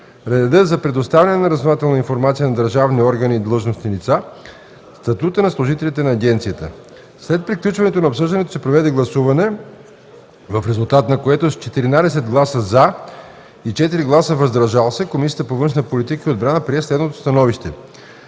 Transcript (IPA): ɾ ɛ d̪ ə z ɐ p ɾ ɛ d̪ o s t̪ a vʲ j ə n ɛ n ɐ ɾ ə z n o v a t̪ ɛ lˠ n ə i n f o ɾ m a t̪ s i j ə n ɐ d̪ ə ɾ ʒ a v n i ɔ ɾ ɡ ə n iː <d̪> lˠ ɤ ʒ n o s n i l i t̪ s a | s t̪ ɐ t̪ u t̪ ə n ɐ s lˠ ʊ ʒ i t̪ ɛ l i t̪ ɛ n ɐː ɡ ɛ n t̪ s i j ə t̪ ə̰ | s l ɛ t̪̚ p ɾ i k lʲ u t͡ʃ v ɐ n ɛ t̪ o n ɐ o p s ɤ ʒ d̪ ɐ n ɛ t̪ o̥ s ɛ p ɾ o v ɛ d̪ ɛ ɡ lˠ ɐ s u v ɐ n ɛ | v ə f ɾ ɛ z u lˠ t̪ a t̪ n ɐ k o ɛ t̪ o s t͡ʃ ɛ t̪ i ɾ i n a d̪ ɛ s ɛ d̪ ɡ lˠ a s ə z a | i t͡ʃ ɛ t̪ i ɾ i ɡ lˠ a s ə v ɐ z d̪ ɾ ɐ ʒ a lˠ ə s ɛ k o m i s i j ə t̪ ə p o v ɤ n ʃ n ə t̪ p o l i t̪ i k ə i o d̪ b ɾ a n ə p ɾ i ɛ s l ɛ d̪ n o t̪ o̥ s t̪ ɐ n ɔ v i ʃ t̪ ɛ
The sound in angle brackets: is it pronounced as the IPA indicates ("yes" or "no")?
yes